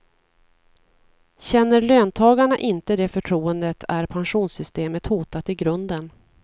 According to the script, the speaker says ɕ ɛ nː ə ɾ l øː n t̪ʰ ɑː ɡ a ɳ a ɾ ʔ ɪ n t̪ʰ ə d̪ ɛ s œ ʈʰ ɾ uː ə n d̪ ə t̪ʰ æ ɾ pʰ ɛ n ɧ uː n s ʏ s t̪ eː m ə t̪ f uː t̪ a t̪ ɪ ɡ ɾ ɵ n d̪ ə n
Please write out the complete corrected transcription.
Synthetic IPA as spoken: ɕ ɛ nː ə ɾ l øː n t̪ʰ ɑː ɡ a ɳ a ʔ ɪ n t̪ ə d̪ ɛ f œ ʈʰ ɾ uː ə n d̪ ə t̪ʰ æ ɾ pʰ a n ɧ uː n s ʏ s t̪ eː m ə t̪ h uː t̪ a t̪ ɪ ɡ ɾ ɵ n d̪ ə n